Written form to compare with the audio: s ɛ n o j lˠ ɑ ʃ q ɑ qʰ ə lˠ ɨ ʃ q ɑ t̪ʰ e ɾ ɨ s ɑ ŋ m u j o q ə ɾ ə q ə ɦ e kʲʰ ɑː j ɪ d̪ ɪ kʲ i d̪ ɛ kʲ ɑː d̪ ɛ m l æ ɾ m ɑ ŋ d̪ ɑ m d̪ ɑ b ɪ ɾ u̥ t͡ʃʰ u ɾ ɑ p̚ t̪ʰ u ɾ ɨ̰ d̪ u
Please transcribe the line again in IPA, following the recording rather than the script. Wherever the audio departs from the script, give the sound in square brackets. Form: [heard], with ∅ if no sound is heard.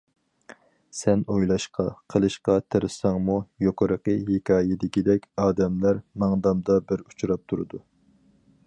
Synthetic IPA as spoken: s ɛ n o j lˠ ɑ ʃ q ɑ qʰ ə lˠ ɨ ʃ q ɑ t̪ʰ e ɾ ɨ s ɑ ŋ m u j o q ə ɾ ə q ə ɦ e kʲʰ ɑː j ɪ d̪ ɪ kʲ i d̪ ɛ kʲ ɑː d̪ ɛ m l æ ɾ m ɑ ŋ d̪ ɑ m d̪ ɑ b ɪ ɾ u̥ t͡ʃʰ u ɾ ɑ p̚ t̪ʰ u ɾ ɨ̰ d̪ u

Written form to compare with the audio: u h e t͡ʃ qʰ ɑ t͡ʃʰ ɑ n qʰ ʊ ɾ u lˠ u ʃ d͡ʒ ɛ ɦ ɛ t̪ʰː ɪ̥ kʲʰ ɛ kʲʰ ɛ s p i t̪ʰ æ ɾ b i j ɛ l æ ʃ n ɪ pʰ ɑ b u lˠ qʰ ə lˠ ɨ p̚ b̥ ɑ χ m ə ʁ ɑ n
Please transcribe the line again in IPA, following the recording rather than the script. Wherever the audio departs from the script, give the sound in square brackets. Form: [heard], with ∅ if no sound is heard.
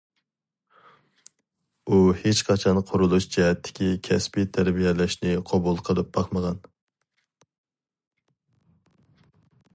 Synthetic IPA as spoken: u h e t͡ʃ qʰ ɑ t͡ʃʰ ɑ n qʰ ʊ ɾ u lˠ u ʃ d͡ʒ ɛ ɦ ɛ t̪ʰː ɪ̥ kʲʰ [i] kʲʰ ɛ s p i t̪ʰ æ ɾ b i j ɛ l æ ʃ n ɪ [qʰ] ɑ b u lˠ qʰ ə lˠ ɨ p̚ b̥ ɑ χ m ə ʁ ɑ n

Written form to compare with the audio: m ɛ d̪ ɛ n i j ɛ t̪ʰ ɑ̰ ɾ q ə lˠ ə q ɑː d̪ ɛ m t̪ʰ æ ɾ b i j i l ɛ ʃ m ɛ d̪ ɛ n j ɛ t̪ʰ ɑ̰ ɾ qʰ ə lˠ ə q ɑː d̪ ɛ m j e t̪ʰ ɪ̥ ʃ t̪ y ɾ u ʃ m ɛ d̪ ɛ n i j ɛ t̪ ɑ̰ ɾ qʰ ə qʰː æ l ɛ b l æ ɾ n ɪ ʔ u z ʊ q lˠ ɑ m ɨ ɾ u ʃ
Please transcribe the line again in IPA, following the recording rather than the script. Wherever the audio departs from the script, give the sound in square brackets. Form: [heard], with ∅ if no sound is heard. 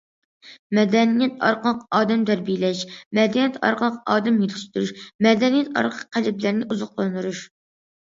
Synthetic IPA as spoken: m ɛ d̪ ɛ n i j ɛ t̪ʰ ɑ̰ ɾ q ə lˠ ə q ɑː d̪ ɛ m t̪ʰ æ ɾ b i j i l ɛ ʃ m ɛ d̪ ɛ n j ɛ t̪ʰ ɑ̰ ɾ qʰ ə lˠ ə q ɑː d̪ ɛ m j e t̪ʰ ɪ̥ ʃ t̪ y ɾ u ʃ m ɛ d̪ ɛ n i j ɛ t̪ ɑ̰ ɾ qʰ ə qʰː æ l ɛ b l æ ɾ n ɪ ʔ u z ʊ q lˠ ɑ [n] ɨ ɾ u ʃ

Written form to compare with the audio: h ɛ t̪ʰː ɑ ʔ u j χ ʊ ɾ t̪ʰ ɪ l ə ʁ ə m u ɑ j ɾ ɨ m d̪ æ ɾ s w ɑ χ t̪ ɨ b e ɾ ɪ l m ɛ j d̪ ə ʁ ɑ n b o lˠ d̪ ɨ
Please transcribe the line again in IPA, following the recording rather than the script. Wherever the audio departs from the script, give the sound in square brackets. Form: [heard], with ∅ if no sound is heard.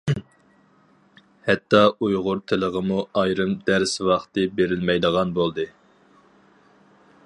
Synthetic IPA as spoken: h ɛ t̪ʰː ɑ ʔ u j [ʁ] ʊ ɾ t̪ʰ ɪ l ə ʁ ə m u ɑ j ɾ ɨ m d̪ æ ɾ s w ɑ χ t̪ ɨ b e ɾ ɪ l m ɛ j d̪ ə ʁ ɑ n b o lˠ d̪ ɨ

